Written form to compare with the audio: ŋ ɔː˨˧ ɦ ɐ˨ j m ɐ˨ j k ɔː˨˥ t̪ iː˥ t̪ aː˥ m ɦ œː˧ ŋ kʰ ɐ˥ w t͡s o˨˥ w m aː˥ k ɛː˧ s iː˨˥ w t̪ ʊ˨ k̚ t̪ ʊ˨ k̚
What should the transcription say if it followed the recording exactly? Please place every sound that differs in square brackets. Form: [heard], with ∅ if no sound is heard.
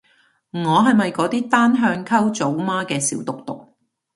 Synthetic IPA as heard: ŋ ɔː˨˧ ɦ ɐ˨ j m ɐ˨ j k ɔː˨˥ t̪ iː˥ t̪ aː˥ [n] ɦ œː˧ ŋ kʰ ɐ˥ w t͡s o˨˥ w m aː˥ k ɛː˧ s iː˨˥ w t̪ ʊ˨ k̚ t̪ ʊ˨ k̚